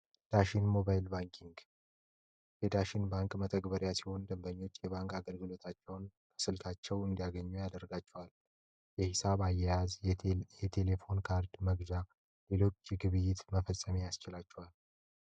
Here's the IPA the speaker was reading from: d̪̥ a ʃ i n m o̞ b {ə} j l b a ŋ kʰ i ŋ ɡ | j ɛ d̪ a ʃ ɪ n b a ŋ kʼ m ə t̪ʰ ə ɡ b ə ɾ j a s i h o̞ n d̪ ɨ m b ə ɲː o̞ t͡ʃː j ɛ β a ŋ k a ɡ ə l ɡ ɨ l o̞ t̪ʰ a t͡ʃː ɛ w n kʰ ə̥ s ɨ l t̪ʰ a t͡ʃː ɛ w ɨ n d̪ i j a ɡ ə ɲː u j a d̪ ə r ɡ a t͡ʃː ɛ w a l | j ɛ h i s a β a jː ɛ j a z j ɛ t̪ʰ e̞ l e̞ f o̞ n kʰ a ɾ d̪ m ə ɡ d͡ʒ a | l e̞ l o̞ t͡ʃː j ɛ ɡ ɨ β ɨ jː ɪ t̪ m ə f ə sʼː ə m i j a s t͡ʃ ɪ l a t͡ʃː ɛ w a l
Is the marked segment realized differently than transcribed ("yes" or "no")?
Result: yes